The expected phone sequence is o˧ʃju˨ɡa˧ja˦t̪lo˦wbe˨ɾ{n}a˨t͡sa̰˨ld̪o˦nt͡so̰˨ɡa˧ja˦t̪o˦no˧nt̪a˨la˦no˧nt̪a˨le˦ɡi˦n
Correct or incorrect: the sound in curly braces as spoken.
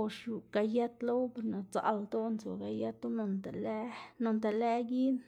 correct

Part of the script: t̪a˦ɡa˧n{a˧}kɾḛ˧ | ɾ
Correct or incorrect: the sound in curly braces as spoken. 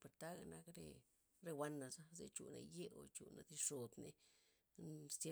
correct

